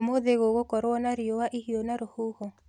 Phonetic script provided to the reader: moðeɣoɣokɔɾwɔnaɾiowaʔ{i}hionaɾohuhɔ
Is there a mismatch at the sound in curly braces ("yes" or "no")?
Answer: no